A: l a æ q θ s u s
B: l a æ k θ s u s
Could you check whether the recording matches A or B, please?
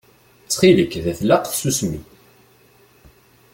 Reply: A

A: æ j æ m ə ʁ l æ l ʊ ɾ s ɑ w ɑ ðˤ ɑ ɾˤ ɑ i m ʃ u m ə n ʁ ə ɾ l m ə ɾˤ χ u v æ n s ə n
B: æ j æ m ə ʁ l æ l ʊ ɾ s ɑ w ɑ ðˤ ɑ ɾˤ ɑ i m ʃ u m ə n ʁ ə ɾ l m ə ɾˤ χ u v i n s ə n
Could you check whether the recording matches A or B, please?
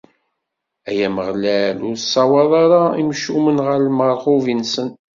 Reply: B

